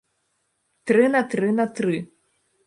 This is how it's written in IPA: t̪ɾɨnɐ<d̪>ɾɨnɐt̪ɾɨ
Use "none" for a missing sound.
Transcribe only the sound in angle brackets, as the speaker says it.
t̪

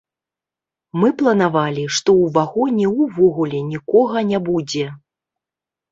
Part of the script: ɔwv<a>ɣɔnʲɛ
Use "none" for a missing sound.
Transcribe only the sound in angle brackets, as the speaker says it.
a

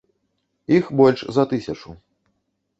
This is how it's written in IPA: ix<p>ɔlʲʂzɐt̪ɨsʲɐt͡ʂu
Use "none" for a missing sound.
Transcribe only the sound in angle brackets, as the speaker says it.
b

